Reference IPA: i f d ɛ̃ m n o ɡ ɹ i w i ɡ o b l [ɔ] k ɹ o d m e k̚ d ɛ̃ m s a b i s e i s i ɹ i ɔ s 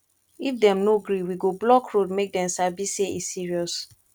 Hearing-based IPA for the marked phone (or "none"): ɔ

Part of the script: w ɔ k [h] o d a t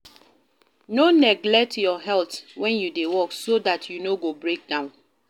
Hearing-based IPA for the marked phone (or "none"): s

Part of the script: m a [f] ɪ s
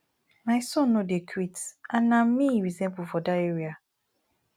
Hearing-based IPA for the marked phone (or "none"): none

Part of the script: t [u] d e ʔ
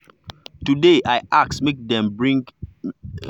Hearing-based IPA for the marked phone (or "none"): u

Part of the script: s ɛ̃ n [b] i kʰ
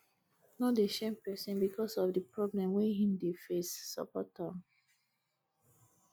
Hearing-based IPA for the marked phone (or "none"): b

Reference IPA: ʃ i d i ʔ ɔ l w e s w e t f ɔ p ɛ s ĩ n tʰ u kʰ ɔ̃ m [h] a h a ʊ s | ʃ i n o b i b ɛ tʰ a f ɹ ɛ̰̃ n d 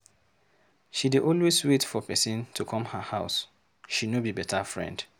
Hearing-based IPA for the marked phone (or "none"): h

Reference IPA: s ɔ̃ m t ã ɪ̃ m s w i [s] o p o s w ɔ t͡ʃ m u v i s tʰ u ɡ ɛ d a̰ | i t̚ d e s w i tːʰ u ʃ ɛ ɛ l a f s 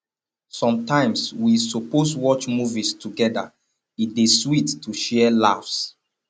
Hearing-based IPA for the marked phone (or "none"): s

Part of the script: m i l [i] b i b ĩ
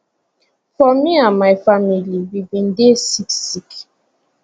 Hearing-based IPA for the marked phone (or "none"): i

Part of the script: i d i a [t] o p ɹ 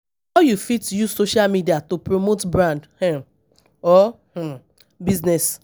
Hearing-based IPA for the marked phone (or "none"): t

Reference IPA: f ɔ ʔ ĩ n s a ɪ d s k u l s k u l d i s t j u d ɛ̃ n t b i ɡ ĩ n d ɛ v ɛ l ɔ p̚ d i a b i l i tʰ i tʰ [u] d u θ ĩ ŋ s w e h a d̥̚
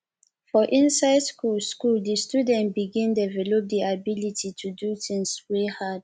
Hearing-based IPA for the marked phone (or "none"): u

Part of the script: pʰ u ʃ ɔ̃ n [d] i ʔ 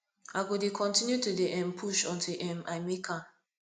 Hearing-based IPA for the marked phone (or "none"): t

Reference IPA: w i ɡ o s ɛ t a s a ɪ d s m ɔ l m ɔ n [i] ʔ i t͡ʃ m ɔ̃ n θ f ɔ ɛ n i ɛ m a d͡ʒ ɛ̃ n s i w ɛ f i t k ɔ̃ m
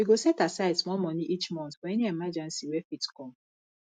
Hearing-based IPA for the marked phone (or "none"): i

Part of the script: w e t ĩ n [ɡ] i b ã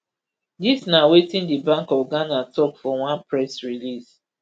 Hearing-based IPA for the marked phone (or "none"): d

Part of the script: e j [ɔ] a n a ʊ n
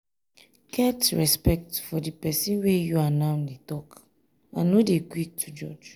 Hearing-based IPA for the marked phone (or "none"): u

